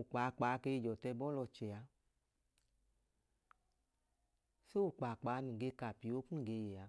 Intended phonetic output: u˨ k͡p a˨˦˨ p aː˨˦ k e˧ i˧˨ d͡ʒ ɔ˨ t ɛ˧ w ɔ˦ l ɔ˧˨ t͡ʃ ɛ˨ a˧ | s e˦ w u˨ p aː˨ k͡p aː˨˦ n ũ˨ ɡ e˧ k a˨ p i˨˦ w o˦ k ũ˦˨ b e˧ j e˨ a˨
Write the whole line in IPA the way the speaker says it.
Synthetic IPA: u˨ k͡p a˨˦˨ k͡p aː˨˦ k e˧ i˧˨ d͡ʒ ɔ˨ t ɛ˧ b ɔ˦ l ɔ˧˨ t͡ʃ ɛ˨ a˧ | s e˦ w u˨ k͡p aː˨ k͡p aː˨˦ n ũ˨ ɡ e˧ k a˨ p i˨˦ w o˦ k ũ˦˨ ɡ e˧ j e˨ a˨

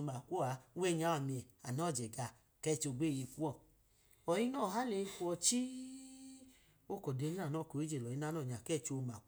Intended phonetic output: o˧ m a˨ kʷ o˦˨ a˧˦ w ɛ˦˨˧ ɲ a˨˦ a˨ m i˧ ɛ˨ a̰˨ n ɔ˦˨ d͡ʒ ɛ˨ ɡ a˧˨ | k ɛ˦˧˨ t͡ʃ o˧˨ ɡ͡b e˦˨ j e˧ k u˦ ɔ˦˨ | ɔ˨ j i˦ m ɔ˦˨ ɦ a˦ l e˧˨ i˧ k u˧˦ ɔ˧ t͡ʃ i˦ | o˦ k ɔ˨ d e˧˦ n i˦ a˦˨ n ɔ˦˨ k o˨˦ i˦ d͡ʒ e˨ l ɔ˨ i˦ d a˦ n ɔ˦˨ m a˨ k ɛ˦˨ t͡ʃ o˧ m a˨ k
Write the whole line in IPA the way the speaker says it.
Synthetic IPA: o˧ m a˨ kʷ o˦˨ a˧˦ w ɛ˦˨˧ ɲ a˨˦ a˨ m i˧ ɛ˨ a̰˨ n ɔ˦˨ d͡ʒ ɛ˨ ɡ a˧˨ | k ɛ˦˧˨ t͡ʃ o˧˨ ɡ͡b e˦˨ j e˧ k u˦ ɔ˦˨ | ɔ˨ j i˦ n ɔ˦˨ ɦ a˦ l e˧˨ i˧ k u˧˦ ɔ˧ t͡ʃ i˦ | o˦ k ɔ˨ d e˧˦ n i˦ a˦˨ n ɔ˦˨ k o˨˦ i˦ d͡ʒ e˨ l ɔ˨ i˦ n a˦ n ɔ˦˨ ɲ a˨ k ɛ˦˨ t͡ʃ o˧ m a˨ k

